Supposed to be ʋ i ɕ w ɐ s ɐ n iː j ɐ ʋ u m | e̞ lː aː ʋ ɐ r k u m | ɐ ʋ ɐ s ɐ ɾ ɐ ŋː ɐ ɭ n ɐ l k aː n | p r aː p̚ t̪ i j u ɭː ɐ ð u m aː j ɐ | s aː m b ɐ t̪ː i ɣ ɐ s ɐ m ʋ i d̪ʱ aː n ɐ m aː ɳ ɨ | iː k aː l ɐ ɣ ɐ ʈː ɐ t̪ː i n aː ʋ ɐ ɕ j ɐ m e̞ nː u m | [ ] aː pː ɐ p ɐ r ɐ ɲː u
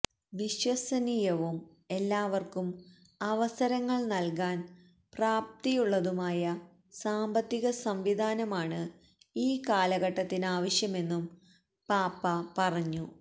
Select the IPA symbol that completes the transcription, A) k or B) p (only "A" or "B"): B